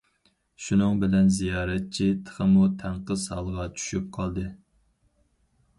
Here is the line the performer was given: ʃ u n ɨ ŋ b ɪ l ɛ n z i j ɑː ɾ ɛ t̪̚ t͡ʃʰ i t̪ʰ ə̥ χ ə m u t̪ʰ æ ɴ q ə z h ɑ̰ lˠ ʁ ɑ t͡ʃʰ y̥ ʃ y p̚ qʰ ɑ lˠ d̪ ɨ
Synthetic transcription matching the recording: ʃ u n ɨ ŋ b ɪ l ɛ n z i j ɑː ɾ ɛ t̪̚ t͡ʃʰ i t̪ʰ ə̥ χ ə m u t̪ʰ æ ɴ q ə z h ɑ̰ lˠ ʁ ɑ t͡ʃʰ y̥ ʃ y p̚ qʰ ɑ lˠ d̪ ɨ